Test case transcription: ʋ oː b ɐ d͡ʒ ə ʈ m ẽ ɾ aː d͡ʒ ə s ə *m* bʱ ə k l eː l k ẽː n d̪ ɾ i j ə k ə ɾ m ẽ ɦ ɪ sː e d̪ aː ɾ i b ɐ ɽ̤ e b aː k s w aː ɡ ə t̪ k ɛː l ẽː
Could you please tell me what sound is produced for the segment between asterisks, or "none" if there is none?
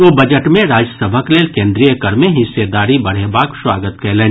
none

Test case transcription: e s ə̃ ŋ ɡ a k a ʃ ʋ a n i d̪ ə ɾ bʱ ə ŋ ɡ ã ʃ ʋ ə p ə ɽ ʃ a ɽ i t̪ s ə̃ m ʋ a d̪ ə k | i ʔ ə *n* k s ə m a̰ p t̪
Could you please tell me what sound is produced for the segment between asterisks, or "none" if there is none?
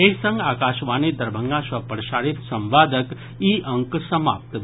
ŋ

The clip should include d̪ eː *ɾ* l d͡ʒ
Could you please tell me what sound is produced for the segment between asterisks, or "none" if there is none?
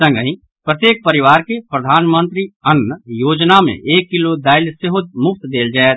none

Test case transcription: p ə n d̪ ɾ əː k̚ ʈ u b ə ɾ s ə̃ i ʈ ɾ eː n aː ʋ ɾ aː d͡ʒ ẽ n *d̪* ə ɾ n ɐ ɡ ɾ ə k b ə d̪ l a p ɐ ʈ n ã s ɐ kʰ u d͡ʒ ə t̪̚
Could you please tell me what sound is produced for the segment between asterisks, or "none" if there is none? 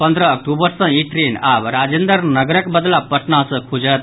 d̪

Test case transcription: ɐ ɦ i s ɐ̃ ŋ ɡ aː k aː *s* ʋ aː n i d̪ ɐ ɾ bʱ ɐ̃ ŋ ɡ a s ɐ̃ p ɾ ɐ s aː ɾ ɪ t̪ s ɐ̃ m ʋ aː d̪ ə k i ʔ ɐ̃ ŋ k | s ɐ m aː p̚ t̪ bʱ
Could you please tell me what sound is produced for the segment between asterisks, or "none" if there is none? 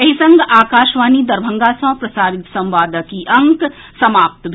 ʃ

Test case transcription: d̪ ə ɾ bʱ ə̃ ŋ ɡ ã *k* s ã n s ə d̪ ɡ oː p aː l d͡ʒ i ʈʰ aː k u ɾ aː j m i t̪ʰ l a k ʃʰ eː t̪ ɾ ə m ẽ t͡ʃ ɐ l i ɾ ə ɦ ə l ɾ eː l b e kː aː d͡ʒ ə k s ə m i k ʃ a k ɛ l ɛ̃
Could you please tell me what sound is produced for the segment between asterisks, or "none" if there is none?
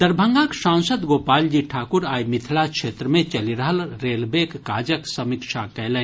k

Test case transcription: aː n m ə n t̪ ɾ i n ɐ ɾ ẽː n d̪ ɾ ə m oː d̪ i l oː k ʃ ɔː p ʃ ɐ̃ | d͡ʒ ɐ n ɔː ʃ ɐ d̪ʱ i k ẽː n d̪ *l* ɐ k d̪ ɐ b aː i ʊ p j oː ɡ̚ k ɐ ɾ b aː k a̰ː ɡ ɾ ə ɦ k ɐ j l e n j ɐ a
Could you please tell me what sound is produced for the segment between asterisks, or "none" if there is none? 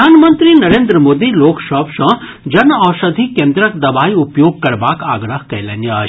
ɾ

